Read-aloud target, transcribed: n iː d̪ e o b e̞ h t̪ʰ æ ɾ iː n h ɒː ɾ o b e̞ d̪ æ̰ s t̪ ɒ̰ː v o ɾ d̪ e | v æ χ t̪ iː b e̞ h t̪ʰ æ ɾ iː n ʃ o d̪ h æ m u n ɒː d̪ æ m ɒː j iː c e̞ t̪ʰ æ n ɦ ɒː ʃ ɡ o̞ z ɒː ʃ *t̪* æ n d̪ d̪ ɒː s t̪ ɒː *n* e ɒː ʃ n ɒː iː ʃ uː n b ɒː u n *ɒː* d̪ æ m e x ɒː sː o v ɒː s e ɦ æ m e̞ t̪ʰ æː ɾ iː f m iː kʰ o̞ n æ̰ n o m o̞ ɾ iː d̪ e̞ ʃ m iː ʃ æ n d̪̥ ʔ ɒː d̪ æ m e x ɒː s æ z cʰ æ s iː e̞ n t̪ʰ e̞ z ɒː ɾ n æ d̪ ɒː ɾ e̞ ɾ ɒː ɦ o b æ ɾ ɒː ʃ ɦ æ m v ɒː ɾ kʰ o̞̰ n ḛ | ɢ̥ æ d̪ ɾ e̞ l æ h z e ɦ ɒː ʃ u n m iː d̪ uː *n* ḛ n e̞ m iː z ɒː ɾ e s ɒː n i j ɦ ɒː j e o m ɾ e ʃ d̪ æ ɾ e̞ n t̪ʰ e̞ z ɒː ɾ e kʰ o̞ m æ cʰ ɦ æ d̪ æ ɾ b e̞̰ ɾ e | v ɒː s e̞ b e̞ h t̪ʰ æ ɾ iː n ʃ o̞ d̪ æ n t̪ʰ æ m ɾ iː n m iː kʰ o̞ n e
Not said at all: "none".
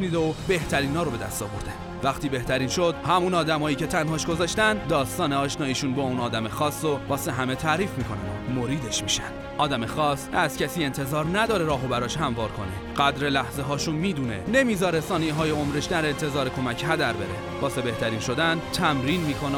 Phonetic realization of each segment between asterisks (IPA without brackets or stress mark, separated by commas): t̪, n, ɒː, n